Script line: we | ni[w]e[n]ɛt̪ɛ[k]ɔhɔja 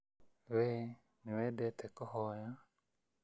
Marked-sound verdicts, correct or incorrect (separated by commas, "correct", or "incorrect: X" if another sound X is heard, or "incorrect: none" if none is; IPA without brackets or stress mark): correct, incorrect: d, correct